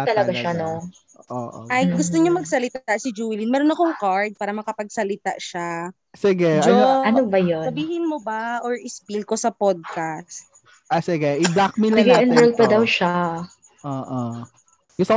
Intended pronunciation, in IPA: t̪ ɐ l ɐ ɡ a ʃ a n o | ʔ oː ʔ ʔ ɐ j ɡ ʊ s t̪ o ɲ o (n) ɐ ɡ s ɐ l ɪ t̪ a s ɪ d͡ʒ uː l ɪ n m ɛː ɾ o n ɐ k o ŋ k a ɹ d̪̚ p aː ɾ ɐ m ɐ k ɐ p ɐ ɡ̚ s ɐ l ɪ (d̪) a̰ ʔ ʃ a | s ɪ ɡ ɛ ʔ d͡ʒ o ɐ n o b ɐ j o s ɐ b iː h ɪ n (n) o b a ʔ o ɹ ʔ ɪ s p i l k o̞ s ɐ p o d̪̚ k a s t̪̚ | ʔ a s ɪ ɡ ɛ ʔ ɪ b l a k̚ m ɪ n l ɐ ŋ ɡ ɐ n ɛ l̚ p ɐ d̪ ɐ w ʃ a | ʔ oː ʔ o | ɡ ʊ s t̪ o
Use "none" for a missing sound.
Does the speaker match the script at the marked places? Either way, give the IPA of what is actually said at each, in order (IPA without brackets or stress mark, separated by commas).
m, t̪, m